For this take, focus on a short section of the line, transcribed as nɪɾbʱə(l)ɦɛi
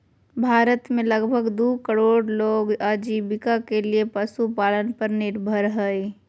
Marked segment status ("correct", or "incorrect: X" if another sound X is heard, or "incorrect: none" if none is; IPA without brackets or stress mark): incorrect: ɾ